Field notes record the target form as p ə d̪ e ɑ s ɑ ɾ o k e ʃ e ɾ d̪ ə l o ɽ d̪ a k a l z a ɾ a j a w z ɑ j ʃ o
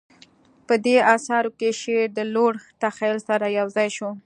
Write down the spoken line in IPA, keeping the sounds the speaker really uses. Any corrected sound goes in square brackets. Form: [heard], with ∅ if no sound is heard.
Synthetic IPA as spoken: p ə d̪ e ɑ s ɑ ɾ o k e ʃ e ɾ d̪ ə l o ɽ [t̪] a [x] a l [s] a ɾ a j a w z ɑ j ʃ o